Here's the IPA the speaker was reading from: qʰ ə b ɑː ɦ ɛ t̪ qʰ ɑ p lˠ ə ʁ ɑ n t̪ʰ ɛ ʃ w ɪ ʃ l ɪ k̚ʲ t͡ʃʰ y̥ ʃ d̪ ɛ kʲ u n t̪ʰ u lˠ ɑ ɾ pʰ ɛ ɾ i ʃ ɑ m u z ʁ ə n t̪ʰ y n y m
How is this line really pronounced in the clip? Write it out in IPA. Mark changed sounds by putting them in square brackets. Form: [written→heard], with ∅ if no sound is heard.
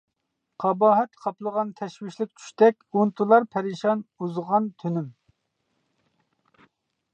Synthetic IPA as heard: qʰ [ə→ɑ] b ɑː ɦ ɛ t̪ qʰ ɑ p lˠ ə ʁ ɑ n t̪ʰ ɛ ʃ w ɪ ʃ l ɪ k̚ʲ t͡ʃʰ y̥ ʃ [d̪→t̪] ɛ kʲ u n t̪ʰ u lˠ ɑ ɾ pʰ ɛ ɾ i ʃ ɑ [m→n] u z ʁ [ə→ɑ] n t̪ʰ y n y m